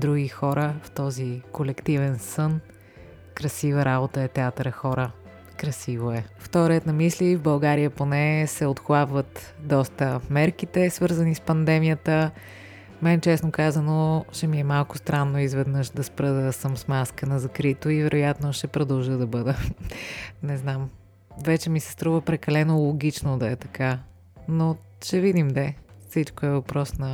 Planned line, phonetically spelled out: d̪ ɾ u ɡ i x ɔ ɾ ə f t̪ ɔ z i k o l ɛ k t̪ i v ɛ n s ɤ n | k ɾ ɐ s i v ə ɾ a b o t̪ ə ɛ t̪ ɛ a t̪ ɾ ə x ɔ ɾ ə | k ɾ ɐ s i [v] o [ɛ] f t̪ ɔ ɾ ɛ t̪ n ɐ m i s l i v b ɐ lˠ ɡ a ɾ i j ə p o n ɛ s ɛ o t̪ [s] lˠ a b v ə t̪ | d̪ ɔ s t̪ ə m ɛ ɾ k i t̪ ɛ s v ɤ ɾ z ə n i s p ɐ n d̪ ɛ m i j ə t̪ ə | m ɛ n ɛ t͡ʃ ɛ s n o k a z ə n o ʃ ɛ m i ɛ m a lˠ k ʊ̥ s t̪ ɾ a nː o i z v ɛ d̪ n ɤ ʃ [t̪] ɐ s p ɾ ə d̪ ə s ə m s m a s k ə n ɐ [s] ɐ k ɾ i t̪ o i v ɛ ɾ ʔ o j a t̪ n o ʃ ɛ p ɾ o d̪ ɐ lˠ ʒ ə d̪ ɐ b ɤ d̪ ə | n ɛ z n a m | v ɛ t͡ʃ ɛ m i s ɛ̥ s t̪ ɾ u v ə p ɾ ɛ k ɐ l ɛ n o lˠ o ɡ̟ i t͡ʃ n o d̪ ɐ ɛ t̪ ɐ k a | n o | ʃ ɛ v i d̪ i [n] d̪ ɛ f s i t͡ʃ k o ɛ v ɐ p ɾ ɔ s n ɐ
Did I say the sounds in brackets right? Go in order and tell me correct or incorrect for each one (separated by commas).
correct, correct, incorrect, incorrect, incorrect, incorrect